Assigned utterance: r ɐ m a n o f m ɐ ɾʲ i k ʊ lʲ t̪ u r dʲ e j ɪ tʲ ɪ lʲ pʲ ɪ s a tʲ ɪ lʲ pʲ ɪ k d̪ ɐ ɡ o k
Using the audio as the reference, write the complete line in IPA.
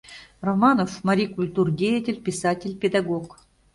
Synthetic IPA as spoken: r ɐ m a n o f m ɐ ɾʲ i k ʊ lʲ t̪ u r dʲ e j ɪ tʲ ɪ lʲ pʲ ɪ s a tʲ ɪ lʲ pʲ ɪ d̪ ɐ ɡ o k